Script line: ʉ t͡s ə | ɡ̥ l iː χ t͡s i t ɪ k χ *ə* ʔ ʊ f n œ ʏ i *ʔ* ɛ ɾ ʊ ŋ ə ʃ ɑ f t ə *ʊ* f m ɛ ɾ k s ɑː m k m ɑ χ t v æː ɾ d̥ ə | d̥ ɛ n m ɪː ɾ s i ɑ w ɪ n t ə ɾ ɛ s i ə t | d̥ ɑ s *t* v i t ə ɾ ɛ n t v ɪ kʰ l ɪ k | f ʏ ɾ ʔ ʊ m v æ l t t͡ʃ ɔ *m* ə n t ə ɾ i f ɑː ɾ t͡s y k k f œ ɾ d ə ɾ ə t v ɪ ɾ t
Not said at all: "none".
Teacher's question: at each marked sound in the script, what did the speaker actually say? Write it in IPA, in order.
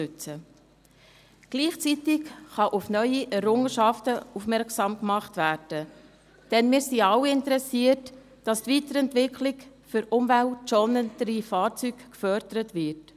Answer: ɑ, ʔ, u, t, n

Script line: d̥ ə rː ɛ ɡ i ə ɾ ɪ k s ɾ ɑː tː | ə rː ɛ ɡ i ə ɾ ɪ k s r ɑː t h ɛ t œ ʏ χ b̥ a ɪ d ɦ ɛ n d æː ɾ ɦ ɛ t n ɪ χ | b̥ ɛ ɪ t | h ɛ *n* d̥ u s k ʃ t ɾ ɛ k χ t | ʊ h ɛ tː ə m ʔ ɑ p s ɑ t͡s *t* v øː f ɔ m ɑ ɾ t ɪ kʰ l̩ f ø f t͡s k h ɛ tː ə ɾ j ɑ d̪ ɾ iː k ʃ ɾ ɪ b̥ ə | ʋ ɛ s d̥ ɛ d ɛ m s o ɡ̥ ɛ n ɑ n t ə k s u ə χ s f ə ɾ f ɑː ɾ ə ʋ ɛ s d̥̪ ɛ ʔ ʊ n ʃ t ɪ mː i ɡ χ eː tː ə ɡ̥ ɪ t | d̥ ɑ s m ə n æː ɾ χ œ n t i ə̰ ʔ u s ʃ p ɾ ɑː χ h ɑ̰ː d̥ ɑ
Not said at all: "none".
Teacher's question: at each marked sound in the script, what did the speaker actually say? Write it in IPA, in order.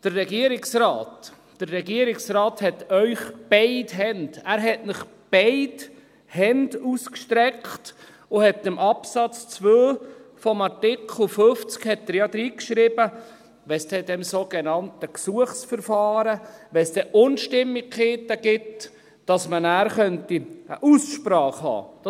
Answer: n, t͡s

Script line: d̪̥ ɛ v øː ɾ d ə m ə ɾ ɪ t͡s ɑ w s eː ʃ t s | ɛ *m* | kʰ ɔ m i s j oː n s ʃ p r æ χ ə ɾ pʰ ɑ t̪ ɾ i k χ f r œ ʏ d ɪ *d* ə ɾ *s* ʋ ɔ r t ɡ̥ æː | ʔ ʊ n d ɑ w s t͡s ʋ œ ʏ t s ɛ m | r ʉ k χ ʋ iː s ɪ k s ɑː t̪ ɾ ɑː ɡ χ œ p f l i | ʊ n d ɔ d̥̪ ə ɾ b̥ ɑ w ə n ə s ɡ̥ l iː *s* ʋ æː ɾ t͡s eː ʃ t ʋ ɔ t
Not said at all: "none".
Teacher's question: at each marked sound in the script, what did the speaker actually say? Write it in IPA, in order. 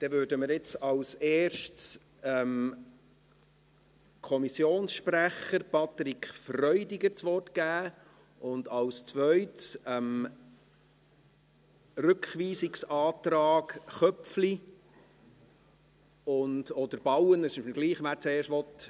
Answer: m, ɡ, t͡s, χ

